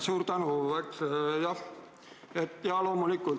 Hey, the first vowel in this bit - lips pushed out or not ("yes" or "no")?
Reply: yes